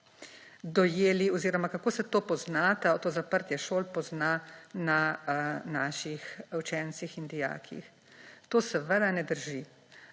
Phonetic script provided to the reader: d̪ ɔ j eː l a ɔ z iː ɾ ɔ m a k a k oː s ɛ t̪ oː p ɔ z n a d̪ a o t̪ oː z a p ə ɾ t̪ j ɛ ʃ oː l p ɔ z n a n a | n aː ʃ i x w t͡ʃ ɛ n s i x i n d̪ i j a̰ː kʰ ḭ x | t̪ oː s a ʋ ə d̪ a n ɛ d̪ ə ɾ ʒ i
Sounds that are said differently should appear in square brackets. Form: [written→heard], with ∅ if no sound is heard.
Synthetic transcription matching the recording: d̪ ɔ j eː l [a→i] ɔ z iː ɾ ɔ m a k a k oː s ɛ t̪ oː p ɔ z n a [d̪→t̪] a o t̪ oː z a p ə ɾ t̪ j ɛ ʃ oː l p ɔ z n a n a | n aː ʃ i x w t͡ʃ ɛ n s i x i n d̪ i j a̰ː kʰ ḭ x | t̪ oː s [a→ɛ] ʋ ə d̪ a n ɛ d̪ ə ɾ ʒ i